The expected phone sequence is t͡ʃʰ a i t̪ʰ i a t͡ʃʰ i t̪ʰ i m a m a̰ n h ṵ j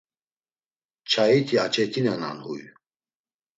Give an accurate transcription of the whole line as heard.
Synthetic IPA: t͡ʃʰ a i t̪ʰ i a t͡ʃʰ ɛ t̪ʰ i n a n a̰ n h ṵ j